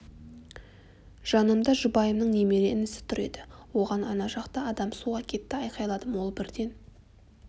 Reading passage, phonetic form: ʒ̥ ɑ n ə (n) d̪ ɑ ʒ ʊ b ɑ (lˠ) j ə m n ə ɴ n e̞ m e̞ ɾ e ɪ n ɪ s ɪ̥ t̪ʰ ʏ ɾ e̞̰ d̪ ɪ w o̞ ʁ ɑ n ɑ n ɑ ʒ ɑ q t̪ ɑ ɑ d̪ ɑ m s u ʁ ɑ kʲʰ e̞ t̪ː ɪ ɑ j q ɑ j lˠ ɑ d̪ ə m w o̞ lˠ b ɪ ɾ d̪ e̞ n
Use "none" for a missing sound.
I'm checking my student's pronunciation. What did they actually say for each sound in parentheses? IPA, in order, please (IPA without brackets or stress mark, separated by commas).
m, none